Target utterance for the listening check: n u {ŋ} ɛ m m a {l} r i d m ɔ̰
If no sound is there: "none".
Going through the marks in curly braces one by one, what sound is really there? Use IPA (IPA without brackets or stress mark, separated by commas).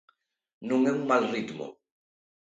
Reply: ŋ, l